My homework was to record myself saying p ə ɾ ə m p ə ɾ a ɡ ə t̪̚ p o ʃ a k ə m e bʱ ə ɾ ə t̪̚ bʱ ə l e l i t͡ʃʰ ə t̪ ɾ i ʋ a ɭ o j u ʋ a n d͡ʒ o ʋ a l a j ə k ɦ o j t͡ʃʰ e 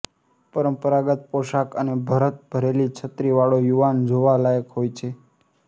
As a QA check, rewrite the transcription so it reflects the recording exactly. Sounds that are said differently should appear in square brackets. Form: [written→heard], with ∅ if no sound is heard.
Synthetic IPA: p ə ɾ ə m p ə ɾ a ɡ ə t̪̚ p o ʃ a k ə [m→n] e bʱ ə ɾ ə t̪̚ bʱ ə [l→ɾ] e l i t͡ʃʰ ə t̪ ɾ i ʋ a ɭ o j u ʋ a n d͡ʒ o ʋ a l a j ə k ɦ o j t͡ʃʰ e